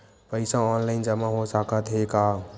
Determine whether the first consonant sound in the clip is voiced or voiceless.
voiceless